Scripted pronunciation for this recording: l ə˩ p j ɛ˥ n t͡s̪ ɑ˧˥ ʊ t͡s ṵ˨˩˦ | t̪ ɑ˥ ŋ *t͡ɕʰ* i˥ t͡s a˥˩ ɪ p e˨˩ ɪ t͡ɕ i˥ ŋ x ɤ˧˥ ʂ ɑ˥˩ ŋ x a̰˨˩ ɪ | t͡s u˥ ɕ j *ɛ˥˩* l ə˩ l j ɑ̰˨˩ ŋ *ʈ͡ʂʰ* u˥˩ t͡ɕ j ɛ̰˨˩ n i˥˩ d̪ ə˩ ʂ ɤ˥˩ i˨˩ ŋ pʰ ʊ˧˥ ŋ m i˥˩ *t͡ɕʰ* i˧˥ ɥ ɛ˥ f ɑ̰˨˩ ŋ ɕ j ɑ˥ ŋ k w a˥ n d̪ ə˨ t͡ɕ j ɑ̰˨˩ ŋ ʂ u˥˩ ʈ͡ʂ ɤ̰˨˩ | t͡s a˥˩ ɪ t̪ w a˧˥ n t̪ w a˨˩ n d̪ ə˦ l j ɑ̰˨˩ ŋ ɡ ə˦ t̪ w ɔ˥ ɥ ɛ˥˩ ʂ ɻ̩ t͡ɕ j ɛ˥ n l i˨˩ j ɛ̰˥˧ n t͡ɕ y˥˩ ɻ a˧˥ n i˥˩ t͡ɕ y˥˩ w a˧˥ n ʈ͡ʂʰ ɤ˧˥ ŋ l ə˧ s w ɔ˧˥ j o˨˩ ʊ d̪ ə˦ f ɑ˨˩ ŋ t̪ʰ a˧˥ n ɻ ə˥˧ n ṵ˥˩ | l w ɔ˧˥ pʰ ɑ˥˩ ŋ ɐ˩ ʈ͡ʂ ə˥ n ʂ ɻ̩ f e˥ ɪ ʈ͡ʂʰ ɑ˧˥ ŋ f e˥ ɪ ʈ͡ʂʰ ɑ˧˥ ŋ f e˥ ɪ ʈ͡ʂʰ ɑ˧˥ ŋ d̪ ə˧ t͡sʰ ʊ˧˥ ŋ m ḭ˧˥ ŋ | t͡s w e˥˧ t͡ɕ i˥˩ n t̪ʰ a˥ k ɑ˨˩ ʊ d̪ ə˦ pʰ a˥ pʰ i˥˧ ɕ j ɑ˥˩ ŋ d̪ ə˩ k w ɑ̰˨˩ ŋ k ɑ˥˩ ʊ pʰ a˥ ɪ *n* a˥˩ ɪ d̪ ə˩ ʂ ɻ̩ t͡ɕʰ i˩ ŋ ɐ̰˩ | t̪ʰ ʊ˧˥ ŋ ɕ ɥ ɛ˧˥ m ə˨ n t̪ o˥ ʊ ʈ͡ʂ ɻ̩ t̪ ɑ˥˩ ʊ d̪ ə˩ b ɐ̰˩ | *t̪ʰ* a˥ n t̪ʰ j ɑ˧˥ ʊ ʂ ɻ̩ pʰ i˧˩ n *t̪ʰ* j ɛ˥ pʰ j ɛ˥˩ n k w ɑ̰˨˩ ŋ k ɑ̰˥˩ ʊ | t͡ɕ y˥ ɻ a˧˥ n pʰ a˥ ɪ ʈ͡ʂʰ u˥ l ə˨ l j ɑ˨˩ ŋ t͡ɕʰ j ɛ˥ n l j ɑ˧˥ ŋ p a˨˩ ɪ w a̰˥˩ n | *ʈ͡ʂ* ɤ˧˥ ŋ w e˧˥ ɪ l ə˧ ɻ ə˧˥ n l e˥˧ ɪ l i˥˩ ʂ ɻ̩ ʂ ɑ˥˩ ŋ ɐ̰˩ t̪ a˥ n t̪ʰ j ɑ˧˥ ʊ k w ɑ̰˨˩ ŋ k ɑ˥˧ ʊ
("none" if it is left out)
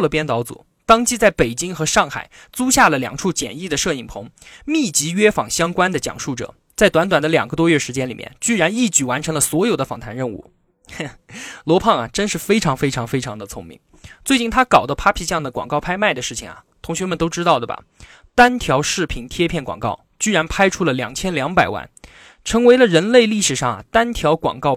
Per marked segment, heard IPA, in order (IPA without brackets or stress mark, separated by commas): t͡ɕ, a˥˩, ʈ͡ʂʰ, t͡ɕ, m, t̪, t̪ʰ, ʈ͡ʂʰ